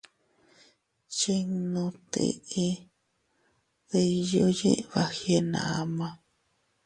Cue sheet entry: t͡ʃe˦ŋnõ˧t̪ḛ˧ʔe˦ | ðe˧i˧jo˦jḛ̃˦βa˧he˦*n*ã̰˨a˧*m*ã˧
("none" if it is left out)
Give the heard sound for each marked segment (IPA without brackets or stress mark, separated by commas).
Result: n, m